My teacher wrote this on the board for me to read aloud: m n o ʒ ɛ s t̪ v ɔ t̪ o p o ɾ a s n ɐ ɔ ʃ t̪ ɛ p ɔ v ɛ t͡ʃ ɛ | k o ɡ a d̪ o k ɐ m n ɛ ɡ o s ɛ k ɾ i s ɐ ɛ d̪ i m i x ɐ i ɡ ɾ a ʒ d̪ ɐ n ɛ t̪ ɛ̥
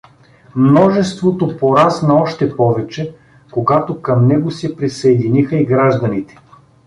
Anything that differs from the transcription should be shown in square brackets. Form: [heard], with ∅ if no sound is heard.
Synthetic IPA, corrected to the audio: m n [ɔ] ʒ ɛ s t̪ v [o] t̪ o p o ɾ a s n ɐ ɔ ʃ t̪ ɛ p ɔ v ɛ t͡ʃ ɛ | k o ɡ a [t̪] o k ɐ m n ɛ ɡ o s ɛ [p] ɾ i s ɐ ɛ d̪ i [n] i x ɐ i ɡ ɾ a ʒ d̪ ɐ n [i] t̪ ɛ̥

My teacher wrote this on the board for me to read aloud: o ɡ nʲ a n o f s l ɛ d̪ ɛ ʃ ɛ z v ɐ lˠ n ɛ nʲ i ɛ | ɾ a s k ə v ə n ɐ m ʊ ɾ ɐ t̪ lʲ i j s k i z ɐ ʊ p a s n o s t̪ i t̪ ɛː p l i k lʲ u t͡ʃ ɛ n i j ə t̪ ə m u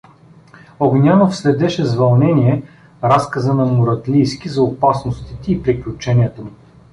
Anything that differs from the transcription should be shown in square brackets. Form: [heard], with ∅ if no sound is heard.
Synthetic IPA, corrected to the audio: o ɡ nʲ a n o f s l ɛ d̪ ɛ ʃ ɛ z v ɐ lˠ n ɛ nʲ i ɛ | ɾ a s k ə [z] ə n ɐ m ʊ ɾ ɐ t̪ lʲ i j s k i z ɐ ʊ p a s n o s t̪ i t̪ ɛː p [ɾ] i k lʲ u t͡ʃ ɛ n i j ə t̪ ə m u

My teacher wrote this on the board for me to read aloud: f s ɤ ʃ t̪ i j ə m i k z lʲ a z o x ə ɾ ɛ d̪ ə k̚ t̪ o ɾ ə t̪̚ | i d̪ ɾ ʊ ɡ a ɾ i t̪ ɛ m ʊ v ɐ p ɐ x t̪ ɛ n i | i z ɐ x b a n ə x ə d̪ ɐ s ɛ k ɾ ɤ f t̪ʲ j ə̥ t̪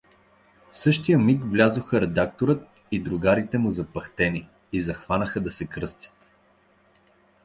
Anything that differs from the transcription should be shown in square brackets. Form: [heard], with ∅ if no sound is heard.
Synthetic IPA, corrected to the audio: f s ɤ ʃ t̪ i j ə m i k [v] lʲ a z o x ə ɾ ɛ d̪ [a] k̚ t̪ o ɾ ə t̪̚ | i d̪ ɾ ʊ ɡ a ɾ i t̪ ɛ m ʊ [z] ɐ p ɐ x t̪ ɛ n i | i z ɐ x [v] a n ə x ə d̪ ɐ s ɛ k ɾ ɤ [s] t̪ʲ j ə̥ t̪

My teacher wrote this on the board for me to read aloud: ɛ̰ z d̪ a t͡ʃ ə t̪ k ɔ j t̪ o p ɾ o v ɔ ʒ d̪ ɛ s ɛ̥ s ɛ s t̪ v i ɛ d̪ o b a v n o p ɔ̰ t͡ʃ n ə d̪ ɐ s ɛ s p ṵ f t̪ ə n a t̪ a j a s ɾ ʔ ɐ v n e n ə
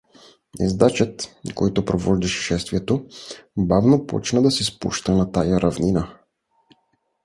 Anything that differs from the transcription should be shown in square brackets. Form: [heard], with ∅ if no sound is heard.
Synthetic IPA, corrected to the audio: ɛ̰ z d̪ a t͡ʃ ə t̪ k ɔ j t̪ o p ɾ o v ɔ ʒ d̪ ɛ [ʃ] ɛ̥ [ʃ] ɛ s t̪ v i ɛ [t̪] o b a v n o p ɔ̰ t͡ʃ n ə d̪ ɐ s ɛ s p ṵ [ʃ] t̪ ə n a t̪ a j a [∅] ɾ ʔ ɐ v n [i] n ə

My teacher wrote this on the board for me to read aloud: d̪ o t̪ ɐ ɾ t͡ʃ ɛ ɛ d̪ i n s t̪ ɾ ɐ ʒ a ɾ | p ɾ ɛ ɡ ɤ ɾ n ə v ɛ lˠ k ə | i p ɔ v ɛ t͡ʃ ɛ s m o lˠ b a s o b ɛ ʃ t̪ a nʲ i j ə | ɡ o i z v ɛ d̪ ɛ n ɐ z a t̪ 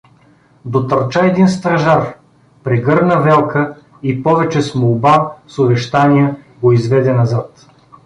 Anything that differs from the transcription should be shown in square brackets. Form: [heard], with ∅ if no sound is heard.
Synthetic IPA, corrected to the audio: d̪ o t̪ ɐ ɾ t͡ʃ [a] ɛ d̪ i n s t̪ ɾ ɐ ʒ a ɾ | p ɾ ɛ ɡ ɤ ɾ n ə v ɛ lˠ k ə | i p ɔ v ɛ t͡ʃ ɛ s m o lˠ b a s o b ɛ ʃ t̪ a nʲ i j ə | ɡ o i z v ɛ d̪ ɛ n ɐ z a t̪

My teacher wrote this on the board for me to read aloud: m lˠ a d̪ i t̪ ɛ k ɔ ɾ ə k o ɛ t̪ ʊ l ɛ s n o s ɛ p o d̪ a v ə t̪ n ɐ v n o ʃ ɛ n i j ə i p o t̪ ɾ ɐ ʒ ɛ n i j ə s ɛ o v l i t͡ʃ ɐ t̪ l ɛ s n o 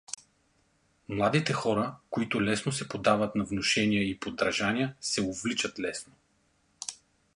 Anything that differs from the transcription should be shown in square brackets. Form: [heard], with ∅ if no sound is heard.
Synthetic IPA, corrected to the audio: m lˠ a d̪ i t̪ ɛ [x] ɔ ɾ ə k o [i] t̪ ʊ l ɛ s n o s ɛ p o d̪ a v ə t̪ n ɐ v n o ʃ ɛ n i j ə i p o [d̪] ɾ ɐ ʒ [a] n i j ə s ɛ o v l i t͡ʃ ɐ t̪ l ɛ s n o

